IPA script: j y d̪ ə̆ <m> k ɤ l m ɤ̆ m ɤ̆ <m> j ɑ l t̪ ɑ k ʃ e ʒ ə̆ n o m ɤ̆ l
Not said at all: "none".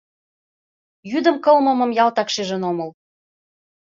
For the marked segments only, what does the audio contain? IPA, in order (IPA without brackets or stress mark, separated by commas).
m, m